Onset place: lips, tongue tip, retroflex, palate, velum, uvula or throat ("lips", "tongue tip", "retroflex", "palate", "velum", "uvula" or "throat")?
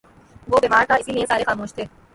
lips